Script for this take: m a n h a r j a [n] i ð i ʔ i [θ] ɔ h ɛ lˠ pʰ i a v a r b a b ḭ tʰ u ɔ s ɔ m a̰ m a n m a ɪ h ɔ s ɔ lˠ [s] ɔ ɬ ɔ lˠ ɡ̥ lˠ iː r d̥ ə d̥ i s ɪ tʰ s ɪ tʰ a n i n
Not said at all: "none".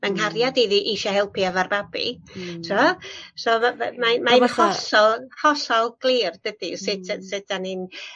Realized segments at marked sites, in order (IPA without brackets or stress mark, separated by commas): d, ʃ, h